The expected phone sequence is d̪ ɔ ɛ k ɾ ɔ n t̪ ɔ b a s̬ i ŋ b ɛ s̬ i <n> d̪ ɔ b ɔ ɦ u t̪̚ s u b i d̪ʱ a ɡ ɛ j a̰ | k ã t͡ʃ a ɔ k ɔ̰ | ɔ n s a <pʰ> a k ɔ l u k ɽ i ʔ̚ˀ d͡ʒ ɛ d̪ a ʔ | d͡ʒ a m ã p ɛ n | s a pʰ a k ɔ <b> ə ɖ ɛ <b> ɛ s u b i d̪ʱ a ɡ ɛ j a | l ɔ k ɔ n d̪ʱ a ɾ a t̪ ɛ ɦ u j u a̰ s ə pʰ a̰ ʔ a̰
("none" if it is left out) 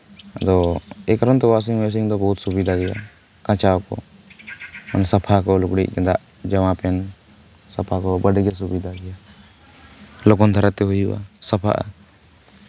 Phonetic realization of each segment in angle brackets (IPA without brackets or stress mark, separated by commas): ŋ, pʰ, b, ɡ